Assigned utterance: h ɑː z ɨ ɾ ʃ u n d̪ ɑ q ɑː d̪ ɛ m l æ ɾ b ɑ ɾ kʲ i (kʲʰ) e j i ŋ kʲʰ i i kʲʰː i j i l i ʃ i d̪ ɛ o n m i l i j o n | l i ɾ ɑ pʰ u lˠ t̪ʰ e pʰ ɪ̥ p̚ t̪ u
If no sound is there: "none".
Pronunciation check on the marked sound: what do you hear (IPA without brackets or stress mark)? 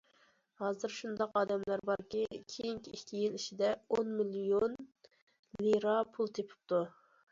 kʲʰ